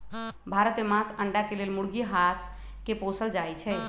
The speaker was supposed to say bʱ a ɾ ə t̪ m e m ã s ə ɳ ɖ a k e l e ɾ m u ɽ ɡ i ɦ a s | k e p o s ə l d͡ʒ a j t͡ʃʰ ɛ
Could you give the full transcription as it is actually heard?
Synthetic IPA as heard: bʱ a ɾ ə t̪ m e m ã s ə ɳ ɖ a k e l e l m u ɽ ɡ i ɦ a s | k e p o s ə l d͡ʒ a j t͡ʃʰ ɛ